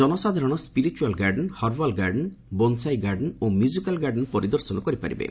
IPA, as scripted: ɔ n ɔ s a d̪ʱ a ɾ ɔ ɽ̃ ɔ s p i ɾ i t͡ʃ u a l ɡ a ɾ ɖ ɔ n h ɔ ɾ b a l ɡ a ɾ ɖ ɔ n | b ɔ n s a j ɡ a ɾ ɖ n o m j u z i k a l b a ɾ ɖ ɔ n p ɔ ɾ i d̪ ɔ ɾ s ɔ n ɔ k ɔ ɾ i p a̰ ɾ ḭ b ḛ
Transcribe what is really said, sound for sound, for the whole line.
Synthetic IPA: ɔ n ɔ s a d̪ʱ a ɾ ɔ ɽ̃ ɔ s p i ɾ i t͡ʃ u a l ɡ a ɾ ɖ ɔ n h ɔ ɾ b a l ɡ a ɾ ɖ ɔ n | b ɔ n s a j ɡ a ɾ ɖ n o m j u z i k a l ɡ a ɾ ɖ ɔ n p ɔ ɾ i d̪ ɔ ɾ s ɔ n ɔ k ɔ ɾ i p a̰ ɾ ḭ b ḛ